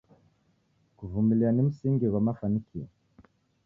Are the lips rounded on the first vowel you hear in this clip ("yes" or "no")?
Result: yes